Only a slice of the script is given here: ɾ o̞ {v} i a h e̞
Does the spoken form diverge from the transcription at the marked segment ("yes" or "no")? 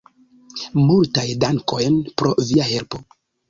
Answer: no